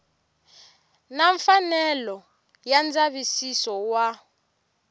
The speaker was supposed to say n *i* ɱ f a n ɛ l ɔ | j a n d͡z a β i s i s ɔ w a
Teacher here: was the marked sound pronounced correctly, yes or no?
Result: no